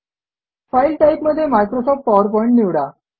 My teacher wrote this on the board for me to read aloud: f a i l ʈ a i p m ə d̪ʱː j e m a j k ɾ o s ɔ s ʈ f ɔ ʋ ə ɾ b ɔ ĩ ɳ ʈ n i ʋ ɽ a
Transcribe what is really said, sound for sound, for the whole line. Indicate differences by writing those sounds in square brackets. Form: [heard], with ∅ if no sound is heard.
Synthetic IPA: f a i l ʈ a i p m ə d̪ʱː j e m a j k ɾ o s ɔ [f] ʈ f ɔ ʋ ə ɾ [p] ɔ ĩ ɳ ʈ n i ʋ ɽ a